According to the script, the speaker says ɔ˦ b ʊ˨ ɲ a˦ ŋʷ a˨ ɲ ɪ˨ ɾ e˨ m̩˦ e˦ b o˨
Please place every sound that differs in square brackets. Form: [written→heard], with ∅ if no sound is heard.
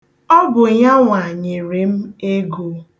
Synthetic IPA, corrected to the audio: ɔ˦ [b→ɡ] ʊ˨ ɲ a˦ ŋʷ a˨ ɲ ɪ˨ ɾ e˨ m̩˦ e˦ [b→ɡ] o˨